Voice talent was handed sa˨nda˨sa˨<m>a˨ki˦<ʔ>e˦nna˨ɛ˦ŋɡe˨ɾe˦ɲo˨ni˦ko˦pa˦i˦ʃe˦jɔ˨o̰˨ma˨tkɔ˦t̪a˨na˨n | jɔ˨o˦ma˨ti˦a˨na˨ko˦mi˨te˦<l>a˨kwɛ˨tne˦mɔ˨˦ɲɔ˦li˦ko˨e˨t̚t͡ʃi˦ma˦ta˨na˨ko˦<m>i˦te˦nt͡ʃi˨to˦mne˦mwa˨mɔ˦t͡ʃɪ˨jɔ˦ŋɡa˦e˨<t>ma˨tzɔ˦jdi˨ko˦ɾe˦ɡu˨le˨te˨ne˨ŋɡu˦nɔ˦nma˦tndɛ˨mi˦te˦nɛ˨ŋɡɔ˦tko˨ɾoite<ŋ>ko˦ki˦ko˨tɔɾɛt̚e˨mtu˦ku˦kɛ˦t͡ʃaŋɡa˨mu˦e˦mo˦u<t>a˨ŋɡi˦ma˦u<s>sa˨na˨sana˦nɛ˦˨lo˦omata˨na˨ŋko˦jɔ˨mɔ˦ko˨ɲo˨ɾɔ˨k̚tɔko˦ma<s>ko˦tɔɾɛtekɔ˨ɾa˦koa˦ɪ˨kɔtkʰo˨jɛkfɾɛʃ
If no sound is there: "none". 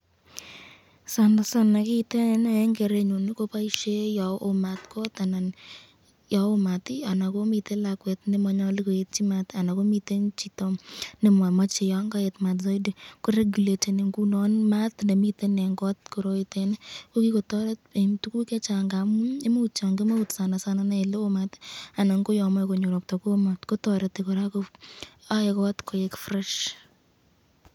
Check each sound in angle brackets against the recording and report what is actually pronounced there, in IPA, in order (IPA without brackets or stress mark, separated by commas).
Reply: n, t, l, m, t, n, t͡ʃ, t, t